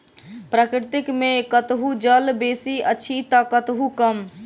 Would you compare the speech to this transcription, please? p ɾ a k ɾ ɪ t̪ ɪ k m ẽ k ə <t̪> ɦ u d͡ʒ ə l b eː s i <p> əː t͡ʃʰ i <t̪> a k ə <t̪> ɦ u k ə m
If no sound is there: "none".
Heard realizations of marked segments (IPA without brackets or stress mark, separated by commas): t̪, none, t̪, t̪